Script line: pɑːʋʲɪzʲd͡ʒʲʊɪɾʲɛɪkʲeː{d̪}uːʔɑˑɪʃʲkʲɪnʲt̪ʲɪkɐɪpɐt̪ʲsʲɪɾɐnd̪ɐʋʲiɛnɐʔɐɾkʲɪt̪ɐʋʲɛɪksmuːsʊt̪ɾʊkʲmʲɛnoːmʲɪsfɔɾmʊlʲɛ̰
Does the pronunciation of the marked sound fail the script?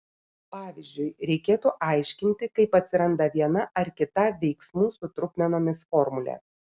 yes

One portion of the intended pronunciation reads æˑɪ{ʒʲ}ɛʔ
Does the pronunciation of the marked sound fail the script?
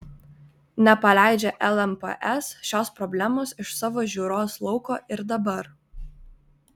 yes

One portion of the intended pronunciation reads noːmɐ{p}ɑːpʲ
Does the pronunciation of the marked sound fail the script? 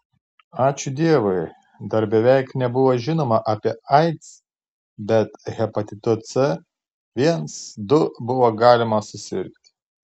yes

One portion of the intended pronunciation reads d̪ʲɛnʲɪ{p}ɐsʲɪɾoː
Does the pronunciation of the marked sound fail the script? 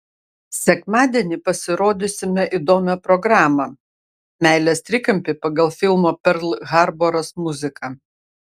no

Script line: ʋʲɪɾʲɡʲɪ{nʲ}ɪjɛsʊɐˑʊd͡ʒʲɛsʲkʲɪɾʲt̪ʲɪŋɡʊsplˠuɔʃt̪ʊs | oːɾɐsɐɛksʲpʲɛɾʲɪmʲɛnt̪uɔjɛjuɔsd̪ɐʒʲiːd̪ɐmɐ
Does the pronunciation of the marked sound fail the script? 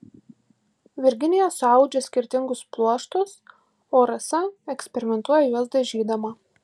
no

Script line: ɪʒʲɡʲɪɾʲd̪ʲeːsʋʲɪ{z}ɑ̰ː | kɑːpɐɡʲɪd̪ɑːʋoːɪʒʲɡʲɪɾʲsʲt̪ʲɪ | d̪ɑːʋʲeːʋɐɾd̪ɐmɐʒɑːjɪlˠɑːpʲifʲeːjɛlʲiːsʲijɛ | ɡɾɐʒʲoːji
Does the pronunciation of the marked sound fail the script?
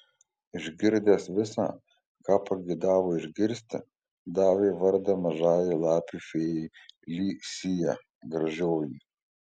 yes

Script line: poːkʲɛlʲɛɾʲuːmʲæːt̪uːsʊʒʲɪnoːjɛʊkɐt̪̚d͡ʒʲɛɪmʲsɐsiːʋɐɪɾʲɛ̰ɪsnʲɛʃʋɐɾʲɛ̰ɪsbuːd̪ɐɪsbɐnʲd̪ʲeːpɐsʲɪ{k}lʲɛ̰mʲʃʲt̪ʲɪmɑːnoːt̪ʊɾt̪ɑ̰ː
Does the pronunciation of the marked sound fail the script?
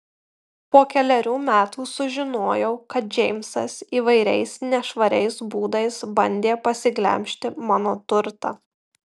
yes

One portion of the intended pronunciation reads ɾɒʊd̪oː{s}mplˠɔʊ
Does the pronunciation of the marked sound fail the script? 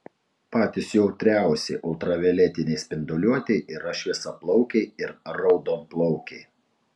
yes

